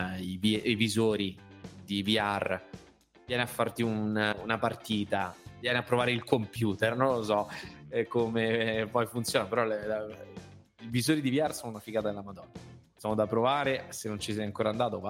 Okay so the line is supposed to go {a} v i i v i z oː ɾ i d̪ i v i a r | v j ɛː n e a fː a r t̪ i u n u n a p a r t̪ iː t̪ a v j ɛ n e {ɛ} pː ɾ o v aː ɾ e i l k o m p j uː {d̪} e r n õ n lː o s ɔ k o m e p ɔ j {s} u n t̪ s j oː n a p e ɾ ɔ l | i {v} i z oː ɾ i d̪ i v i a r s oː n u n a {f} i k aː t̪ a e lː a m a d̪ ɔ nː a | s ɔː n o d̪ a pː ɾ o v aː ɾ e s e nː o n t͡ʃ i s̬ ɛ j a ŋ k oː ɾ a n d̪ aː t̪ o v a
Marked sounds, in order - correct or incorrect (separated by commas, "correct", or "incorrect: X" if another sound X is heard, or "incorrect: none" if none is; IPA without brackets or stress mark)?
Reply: incorrect: i, incorrect: a, incorrect: t̪, incorrect: f, correct, correct